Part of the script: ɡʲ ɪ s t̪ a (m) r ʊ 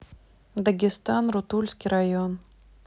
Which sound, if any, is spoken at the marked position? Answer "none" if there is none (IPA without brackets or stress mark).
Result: n